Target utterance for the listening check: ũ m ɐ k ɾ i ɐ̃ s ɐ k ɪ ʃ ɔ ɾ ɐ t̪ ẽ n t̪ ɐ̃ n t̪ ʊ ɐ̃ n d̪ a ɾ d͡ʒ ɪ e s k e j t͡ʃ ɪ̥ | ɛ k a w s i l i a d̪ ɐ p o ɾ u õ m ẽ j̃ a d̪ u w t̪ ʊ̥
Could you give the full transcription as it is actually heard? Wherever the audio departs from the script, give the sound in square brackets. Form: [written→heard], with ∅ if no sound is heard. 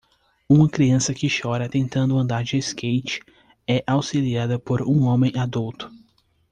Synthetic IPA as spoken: ũ m ɐ k ɾ i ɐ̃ s ɐ k ɪ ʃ ɔ ɾ ɐ t̪ ẽ n t̪ ɐ̃ n [t̪→d̪] ʊ ɐ̃ n d̪ a ɾ d͡ʒ ɪ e s k e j t͡ʃ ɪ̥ | ɛ [k→ʔ] a w s i l i a d̪ ɐ p o ɾ [u→ũ] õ m ẽ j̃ a d̪ u w t̪ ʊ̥